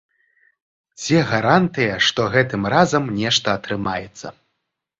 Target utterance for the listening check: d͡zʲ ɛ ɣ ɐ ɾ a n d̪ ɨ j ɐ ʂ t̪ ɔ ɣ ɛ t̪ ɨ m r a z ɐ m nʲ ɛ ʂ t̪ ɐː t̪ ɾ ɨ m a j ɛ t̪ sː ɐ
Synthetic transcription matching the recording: d͡zʲ ɛ ɣ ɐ ɾ a n t̪ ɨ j ɐ ʂ t̪ ɔ ɣ ɛ t̪ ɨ m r a z ɐ m nʲ ɛ ʂ t̪ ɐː t̪ ɾ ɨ m a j ɛ t̪ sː ɐ

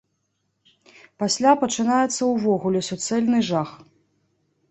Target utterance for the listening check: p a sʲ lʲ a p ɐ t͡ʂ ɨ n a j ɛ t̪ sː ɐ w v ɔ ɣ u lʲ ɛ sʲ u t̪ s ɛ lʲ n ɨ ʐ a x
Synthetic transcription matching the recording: p a sʲ lʲ a p ɐ t͡ʂ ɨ n a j ɛ t̪ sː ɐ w v ɔ ɣ u lʲ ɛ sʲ u t̪ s ɛ lʲ n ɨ ʐ a x

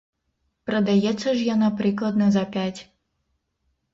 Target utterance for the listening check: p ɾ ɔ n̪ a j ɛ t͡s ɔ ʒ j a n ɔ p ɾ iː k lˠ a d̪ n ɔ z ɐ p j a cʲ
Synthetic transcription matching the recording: p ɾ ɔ d̪ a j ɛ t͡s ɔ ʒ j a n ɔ p ɾ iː k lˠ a d̪ n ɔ z a p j a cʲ

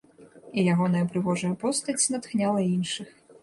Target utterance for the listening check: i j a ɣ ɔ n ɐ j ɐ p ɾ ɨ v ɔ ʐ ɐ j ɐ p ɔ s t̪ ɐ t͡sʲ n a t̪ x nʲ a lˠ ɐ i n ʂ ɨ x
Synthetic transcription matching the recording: i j a ɣ ɔ n ɐ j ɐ p ɾ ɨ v ɔ ʐ ɐ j ɐ p ɔ s t̪ ɐ t͡sʲ n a t̪ x nʲ a lˠ ɐ i n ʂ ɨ x

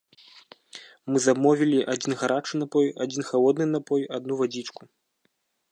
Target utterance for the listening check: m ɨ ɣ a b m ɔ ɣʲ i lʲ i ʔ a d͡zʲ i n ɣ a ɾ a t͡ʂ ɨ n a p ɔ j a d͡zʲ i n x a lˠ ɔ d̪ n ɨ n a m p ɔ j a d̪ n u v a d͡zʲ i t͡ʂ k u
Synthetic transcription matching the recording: m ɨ z a b m ɔ vʲ i lʲ i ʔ a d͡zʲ i n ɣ a ɾ a t͡ʂ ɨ n a p ɔ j a d͡zʲ i n x a lˠ ɔ d̪ n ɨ n a p ɔ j a d̪ n u v a d͡zʲ i t͡ʂ k u

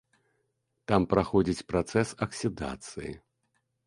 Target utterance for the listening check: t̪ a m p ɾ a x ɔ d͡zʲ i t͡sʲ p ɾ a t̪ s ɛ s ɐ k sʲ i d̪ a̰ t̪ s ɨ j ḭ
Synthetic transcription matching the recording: t̪ a m p ɾ a x ɔ d͡zʲ i t͡sʲ p ɾ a t̪ s ɛ s ɐ k sʲ i d̪ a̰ t̪ s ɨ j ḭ

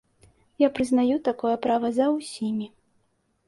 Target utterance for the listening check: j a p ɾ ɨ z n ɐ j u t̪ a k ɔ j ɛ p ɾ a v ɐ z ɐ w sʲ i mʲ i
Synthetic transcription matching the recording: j a p ɾ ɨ z n a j u t̪ a k ɔ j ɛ p ɾ a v ɐ z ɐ w sʲ i mʲ i

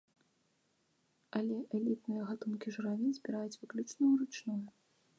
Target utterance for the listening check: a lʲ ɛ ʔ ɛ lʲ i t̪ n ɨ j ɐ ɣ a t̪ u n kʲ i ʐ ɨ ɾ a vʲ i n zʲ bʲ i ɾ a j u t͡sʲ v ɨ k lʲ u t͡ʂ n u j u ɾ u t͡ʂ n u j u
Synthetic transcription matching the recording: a lʲ ɛ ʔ ɛ lʲ i t̪ n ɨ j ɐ ɣ a t̪ u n kʲ i ʐ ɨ ɾ a vʲ i n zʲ bʲ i ɾ a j u t͡sʲ v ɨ k lʲ u t͡ʂ n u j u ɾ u t͡ʂ n u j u

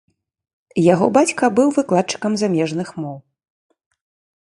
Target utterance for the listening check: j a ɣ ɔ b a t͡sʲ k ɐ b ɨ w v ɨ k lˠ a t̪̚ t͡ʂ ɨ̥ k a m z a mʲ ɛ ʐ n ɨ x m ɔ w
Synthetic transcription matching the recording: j a ɣ ɔ b a t͡sʲ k ɐ b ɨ w v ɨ k lˠ a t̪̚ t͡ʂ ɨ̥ k ɐ m z a mʲ ɛ ʐ n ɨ x m ɔ w

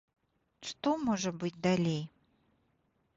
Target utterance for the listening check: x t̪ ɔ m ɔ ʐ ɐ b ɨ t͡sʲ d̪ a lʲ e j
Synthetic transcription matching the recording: ʂ t̪ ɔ m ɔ ʐ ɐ b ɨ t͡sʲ d̪ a lʲ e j

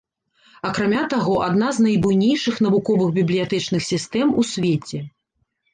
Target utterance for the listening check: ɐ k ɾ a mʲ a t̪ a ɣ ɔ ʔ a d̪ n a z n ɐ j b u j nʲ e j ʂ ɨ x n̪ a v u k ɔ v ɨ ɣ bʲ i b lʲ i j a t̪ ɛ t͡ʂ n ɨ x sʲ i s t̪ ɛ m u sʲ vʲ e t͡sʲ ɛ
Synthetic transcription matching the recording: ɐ k ɾ a mʲ a t̪ a ɣ ɔ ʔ a d̪ n a z n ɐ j b u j nʲ e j ʂ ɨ x n̪ ɐ v u k ɔ v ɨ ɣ bʲ i b lʲ i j a t̪ ɛ t͡ʂ n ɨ x sʲ i s t̪ ɛ m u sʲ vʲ e t͡sʲ ɛ

